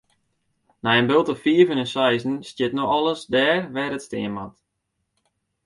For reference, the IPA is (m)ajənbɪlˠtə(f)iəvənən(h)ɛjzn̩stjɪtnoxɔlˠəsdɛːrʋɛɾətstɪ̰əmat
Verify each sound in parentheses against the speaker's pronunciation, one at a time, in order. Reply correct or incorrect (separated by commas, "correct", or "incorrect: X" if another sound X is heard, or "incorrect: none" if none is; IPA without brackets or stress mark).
incorrect: n, correct, incorrect: s